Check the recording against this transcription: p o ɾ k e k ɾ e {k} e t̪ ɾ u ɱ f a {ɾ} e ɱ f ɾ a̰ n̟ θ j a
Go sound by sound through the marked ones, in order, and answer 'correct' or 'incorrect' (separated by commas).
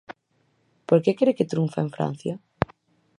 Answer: correct, incorrect